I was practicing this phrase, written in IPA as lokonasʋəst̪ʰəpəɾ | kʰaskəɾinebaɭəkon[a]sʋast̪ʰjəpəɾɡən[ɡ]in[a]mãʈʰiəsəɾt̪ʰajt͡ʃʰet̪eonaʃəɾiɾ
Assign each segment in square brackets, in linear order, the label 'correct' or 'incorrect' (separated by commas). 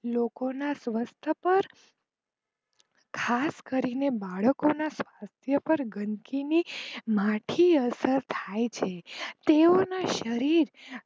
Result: correct, incorrect, incorrect